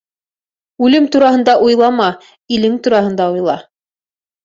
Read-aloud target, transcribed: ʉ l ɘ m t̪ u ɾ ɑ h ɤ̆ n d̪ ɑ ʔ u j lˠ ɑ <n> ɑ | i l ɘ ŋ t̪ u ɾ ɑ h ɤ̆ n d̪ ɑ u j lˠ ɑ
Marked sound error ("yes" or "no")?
yes